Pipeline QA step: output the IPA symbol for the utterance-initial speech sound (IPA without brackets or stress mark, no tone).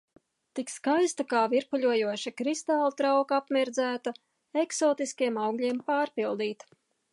t̪